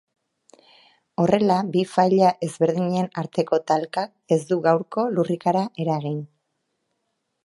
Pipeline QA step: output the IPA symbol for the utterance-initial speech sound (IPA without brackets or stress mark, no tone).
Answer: o̞